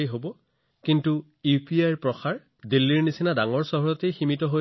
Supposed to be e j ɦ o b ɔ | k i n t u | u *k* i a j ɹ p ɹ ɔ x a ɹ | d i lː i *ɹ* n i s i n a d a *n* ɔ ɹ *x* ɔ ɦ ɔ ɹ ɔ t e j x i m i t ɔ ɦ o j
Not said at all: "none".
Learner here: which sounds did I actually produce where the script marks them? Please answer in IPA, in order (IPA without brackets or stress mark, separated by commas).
p, ɹ, ŋ, s